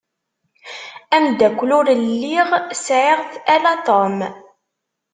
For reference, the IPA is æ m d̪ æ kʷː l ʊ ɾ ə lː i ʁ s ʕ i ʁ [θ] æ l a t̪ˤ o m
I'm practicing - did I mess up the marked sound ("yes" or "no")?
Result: no